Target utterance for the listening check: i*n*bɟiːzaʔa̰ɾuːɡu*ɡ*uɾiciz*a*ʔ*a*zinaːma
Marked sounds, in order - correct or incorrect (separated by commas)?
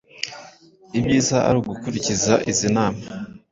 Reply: incorrect, incorrect, correct, incorrect